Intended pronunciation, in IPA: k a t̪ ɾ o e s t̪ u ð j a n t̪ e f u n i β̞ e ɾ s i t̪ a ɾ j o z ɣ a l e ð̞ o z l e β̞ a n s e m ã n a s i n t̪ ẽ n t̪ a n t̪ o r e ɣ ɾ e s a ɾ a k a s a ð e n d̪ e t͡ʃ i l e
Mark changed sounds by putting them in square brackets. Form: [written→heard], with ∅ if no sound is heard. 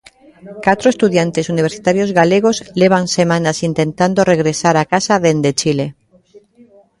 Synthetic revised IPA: k a t̪ ɾ o e s t̪ u ð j a n t̪ e [f→s] u n i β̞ e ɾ s i t̪ a ɾ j o z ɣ a l e [ð̞→ɣ̞] o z l e β̞ a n s e m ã n a s i n t̪ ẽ n t̪ a n [t̪→d̪] o r e ɣ ɾ e s a ɾ a k a s a ð e n d̪ e t͡ʃ i l e